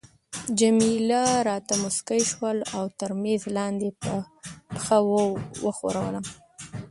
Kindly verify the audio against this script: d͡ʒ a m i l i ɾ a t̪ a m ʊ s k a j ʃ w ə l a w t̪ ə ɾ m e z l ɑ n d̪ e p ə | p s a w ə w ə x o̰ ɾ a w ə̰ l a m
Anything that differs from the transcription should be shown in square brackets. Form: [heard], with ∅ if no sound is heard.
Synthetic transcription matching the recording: d͡ʒ a m i l [a] ɾ [ɑ] t̪ a m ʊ s k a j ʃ w ə l a w t̪ ə ɾ m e z l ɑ n d̪ e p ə | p [x] a w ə w ə x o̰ ɾ a w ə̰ l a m